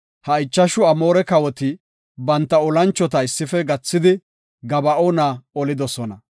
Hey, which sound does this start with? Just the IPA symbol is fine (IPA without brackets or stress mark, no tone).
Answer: h